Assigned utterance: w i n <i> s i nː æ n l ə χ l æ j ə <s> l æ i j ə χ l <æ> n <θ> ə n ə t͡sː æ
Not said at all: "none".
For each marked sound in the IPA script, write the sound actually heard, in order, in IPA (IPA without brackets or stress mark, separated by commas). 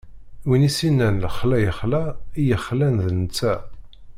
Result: i, χ, æ, ð